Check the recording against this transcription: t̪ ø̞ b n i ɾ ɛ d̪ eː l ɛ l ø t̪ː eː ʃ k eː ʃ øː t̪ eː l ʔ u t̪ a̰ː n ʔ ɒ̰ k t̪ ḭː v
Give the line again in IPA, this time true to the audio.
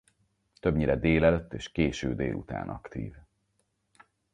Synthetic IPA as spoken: t̪ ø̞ b ɲ i ɾ ɛ d̪ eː l ɛ l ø t̪ː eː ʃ k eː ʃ øː d̪ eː l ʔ u t̪ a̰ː n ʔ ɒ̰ k t̪ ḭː v